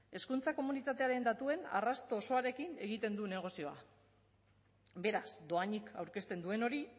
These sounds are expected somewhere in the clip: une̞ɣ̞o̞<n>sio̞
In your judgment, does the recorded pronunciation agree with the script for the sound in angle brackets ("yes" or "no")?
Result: no